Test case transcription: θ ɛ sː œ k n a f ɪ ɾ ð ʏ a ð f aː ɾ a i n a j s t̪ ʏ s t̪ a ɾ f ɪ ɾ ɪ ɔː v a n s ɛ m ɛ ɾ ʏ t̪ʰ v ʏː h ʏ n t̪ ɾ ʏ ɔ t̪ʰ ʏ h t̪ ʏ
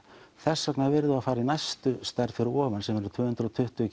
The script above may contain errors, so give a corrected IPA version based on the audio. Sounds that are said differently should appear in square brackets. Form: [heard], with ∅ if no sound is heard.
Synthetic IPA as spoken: θ ɛ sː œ k n a [v] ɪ ɾ ð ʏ a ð f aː ɾ a i n a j s t̪ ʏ s t̪ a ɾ f ɪ ɾ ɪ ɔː v a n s ɛ m ɛ ɾ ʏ t̪ʰ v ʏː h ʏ n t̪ ɾ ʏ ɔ t̪ʰ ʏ h t̪ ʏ